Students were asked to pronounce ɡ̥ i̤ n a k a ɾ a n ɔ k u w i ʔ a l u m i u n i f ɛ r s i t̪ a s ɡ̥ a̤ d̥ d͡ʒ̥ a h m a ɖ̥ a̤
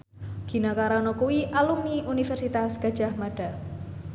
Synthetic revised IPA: ɡ̥ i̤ n a k a ɾ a n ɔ k u w i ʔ a l u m i u n i f ɛ r s i t̪ a s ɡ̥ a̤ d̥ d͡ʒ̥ a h m a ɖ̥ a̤

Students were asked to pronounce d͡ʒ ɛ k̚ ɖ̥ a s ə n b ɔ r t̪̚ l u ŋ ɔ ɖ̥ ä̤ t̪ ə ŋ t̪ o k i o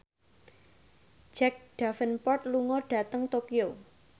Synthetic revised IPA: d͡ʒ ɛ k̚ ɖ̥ a f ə n p ɔ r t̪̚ l u ŋ ɔ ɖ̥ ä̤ t̪ ə ŋ t̪ o k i o

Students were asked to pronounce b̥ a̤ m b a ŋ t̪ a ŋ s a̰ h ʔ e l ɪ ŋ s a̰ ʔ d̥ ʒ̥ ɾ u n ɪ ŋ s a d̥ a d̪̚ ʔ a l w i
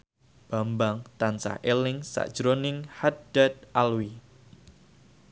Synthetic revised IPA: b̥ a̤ m b a ŋ t̪ a n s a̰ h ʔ e l ɪ ŋ s a̰ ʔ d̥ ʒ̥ ɾ o n ɪ ŋ h a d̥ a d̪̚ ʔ a l w i

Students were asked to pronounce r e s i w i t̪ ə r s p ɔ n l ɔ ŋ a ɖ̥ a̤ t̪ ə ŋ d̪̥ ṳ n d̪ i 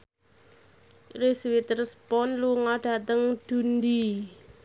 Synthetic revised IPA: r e s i w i t̪ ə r s p ɔ n l u ŋ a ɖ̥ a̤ t̪ ə ŋ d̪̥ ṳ n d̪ i

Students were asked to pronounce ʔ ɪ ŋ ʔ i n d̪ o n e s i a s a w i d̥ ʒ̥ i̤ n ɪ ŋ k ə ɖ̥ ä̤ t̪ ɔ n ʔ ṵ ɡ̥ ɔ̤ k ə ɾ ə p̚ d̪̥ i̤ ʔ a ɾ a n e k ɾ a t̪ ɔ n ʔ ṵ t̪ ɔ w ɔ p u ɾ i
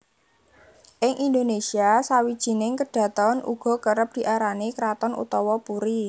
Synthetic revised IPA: ʔ ɪ ŋ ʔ i n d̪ o n e s i a s a w i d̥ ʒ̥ i̤ n ɪ ŋ k ə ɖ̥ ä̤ t̪ ɔ n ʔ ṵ ɡ̥ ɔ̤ k ə ɾ ə p̚ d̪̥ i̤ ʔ a ɾ a n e k ɾ a t̪ ɔ n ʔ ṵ t̪ ɔ w ɔ p u ɾ i

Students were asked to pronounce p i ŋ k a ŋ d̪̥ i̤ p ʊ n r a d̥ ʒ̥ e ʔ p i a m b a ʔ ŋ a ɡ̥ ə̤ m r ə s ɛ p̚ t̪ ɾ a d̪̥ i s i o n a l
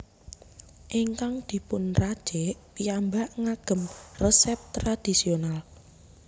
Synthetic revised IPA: ʔ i ŋ k a ŋ d̪̥ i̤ p ʊ n r a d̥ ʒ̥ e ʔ p i a m b a ʔ ŋ a ɡ̥ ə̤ m r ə s ɛ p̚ t̪ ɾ a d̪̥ i s i o n a l

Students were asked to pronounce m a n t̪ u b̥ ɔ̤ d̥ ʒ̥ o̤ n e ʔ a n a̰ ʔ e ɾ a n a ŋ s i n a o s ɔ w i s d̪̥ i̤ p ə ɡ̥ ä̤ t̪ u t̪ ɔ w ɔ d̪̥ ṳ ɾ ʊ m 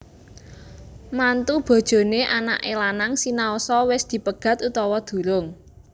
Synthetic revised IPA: m a n t̪ u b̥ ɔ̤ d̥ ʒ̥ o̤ n e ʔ a n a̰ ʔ e l a n a ŋ s i n a o s ɔ w ɪ s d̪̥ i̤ p ə ɡ̥ ä̤ t̪ u t̪ ɔ w ɔ d̪̥ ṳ ɾ ʊ ŋ

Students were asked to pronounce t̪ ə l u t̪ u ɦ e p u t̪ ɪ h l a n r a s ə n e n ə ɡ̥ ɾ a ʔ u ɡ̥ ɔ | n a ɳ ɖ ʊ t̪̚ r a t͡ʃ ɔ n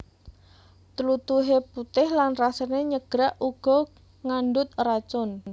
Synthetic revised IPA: t̪ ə l u t̪ u ɦ e p u t̪ ɪ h l a n r a s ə n e ɲ ə ɡ̥ ɾ a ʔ u ɡ̥ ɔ | ŋ a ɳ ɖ ʊ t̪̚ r a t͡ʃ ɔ n

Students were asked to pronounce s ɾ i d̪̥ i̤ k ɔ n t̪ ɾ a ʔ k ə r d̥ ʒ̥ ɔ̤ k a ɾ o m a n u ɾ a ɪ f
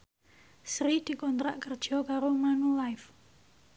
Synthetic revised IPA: s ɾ i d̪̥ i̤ k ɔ n t̪ ɾ a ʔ k ə r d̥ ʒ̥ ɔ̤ k a ɾ o m a n u l a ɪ f

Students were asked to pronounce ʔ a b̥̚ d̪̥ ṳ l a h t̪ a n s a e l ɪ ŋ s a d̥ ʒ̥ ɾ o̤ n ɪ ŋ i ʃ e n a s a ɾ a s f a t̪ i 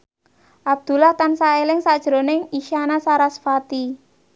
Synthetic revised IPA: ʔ a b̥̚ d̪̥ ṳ l a h t̪ a n s a e l ɪ ŋ s a d̥ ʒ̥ ɾ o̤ n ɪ ŋ i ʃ a n a s a ɾ a s f a t̪ i

